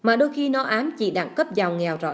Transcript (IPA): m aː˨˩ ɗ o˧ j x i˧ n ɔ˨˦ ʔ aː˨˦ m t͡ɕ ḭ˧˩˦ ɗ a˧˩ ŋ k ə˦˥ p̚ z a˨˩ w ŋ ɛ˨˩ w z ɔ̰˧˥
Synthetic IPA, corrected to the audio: m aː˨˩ ɗ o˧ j x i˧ n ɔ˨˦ ʔ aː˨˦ m t͡ɕ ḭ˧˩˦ ɗ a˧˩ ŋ k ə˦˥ p̚ z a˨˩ w ŋ ɛ˨˩ w z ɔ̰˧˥